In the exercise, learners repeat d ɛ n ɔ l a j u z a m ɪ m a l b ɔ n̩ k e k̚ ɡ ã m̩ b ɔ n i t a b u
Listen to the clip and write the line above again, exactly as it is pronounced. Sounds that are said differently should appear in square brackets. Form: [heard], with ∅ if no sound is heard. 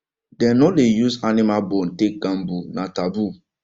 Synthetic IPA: d ɛ n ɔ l [e] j u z a [n] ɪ m a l b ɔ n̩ [t] e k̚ ɡ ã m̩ b [u] n [a] t a b u

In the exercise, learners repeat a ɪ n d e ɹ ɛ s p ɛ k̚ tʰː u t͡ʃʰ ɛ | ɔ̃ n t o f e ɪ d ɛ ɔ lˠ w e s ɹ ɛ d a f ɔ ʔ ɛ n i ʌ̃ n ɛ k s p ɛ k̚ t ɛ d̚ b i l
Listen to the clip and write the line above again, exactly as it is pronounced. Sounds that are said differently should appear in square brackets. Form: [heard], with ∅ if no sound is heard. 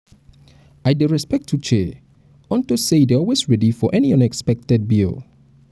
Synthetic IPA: a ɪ [∅] d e ɹ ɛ s p ɛ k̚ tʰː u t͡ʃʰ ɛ | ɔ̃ n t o [s] e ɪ d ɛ ɔ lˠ w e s ɹ ɛ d [i] f ɔ ʔ ɛ n i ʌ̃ n ɛ k s p ɛ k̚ t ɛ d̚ b i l

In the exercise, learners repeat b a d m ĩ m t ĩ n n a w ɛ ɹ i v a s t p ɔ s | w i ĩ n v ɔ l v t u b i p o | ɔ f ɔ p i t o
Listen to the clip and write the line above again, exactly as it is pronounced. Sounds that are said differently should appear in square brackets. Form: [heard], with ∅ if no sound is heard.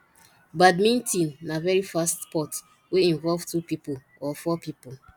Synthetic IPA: b a d m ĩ [n] t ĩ n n a [v] ɛ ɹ i [f] a s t p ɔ [t] | w [e] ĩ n v ɔ l v t u [p] i p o | ɔ f ɔ p i [p] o

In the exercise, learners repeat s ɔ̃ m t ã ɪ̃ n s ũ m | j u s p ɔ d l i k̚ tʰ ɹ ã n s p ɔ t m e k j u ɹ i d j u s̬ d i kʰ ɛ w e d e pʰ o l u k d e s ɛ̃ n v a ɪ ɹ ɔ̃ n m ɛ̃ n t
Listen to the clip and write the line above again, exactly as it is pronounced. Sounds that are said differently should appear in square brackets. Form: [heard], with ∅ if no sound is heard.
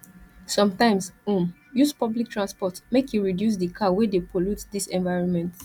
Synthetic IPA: s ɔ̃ m t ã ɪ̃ [m] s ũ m | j u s p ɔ [b] l i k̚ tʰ ɹ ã n s p ɔ t m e k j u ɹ i d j u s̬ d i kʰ [a] w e d e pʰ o l u [t] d [i] s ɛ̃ n v a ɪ ɹ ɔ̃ n m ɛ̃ n t

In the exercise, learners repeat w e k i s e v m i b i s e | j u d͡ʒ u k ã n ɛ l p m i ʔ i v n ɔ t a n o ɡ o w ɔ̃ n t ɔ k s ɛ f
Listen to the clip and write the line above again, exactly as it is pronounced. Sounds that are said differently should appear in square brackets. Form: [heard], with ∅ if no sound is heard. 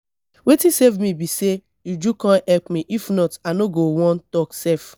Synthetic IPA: w e [t] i s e v m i b i s e | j u d͡ʒ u k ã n ɛ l p m i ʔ i [f] n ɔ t a n o ɡ o w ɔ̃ n t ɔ k s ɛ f

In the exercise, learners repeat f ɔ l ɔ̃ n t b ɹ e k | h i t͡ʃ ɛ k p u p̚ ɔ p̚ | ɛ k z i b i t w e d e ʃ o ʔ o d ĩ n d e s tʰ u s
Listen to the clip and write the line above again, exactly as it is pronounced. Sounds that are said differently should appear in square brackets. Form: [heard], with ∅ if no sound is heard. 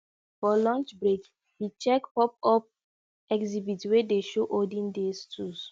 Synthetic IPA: f ɔ l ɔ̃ n [t͡ʃ] b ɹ e k | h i t͡ʃ ɛ k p [ɔ] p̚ ɔ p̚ | ɛ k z i b i t w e d e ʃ o ʔ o d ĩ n d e s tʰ u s

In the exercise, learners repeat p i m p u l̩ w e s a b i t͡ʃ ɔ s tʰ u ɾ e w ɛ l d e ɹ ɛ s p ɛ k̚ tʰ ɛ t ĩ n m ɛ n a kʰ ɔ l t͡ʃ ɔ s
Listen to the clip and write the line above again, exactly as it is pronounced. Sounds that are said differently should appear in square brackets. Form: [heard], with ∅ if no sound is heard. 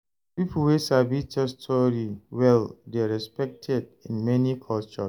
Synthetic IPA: p i [∅] p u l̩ w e s a b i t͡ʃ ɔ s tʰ [ɔ] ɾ [i] w ɛ l d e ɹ ɛ s p ɛ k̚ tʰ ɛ [d] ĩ n m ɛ n [i] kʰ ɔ l t͡ʃ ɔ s

